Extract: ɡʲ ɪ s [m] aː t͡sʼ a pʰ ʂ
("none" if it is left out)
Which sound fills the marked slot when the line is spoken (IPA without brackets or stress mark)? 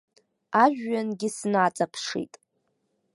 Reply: n